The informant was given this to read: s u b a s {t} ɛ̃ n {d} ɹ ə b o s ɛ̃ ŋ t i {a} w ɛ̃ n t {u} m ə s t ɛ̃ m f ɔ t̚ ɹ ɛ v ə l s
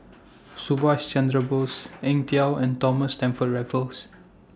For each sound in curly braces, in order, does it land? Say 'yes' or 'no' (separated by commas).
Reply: no, yes, yes, no